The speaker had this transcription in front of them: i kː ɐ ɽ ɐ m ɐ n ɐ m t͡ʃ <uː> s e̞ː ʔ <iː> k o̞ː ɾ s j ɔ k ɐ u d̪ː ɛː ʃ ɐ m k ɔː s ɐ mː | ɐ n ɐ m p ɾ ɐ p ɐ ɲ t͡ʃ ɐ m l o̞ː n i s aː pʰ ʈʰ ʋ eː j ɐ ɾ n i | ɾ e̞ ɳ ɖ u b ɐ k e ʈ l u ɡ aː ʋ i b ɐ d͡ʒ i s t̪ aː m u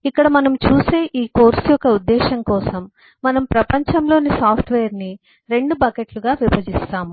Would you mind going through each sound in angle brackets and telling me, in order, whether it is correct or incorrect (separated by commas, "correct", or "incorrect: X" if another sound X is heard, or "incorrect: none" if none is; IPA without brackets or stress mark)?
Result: correct, correct